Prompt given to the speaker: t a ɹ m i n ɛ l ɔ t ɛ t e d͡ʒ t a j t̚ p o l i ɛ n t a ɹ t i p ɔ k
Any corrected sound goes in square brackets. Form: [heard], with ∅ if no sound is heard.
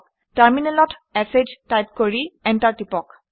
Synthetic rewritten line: t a ɹ m i n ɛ l ɔ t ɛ [s] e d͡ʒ t a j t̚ [k] o [ɹ] i ɛ n t a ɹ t i p ɔ k